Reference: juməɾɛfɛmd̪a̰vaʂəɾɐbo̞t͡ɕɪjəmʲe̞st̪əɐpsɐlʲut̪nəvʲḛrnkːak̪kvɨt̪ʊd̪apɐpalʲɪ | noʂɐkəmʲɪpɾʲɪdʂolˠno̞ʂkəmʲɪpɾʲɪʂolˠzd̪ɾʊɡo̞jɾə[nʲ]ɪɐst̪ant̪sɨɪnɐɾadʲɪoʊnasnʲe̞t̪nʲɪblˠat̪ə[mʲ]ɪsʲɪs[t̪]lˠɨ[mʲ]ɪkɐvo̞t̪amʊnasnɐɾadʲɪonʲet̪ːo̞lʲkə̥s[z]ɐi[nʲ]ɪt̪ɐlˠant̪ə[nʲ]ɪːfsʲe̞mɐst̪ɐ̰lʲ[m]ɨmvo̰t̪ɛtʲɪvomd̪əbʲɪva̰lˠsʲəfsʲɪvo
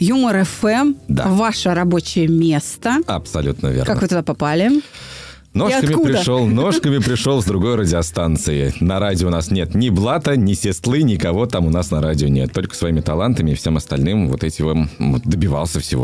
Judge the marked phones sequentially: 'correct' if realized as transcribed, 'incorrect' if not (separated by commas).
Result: incorrect, incorrect, correct, incorrect, incorrect, incorrect, incorrect, incorrect